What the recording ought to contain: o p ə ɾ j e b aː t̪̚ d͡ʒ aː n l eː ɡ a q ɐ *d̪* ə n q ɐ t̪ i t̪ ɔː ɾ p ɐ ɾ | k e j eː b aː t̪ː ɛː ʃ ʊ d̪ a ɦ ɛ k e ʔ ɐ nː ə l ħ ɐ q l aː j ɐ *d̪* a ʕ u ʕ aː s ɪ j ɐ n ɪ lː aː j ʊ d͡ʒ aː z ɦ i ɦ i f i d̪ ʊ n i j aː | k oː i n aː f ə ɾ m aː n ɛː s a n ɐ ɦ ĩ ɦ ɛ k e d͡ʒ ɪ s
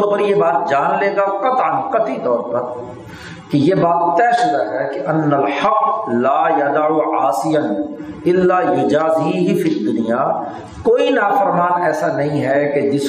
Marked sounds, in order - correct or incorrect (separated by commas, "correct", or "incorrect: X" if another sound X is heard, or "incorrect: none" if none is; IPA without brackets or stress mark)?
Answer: incorrect: t̪, correct